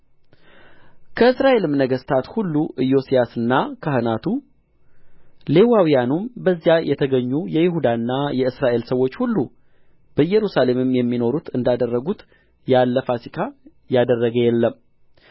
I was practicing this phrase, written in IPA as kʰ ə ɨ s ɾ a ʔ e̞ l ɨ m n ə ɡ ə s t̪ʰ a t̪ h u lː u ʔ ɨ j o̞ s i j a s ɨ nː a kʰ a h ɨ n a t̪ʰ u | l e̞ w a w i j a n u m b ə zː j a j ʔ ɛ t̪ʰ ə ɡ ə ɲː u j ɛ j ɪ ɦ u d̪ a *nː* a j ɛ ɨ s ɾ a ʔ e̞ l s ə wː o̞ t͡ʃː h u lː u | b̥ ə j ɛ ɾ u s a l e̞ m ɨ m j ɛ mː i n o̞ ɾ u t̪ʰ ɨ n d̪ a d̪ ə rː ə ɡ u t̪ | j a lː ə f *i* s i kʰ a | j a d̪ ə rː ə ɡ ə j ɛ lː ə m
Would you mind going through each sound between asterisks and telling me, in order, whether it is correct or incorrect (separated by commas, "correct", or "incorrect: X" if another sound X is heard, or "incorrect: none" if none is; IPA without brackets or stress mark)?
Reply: correct, incorrect: a